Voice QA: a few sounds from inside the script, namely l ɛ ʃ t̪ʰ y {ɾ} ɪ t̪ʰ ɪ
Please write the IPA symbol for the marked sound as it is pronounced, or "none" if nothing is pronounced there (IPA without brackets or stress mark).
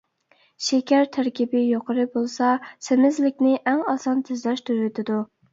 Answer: ɾ